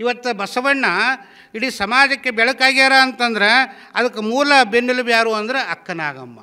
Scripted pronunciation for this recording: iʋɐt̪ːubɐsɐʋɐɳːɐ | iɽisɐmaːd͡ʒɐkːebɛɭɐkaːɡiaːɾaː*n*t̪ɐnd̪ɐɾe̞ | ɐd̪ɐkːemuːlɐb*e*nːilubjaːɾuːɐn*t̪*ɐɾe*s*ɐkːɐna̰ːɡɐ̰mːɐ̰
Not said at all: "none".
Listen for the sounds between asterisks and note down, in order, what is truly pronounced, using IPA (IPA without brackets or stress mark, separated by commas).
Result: n, e, d̪, none